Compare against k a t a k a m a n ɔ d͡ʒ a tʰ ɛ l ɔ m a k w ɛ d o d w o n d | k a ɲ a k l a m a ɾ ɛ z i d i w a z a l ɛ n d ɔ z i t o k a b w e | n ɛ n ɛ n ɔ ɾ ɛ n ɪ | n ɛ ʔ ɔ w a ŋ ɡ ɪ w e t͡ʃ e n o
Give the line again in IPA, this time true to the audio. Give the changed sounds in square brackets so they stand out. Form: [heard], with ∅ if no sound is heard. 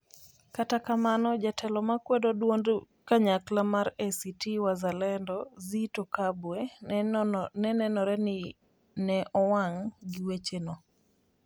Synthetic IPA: k a t a k a m a n ɔ d͡ʒ a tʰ ɛ l ɔ m a k w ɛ d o d w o n d | k a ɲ a k l a m a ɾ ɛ [s] i [t] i w a z a l ɛ n d ɔ z i t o k a b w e | n ɛ n ɛ n ɔ ɾ ɛ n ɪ | n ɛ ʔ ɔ w a ŋ ɡ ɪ w e t͡ʃ e n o